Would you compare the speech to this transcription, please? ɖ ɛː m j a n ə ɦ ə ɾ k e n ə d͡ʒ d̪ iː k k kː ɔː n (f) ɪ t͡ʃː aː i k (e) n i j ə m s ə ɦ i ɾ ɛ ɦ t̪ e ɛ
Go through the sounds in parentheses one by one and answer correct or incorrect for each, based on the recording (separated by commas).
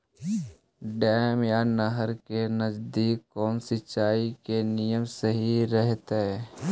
incorrect, correct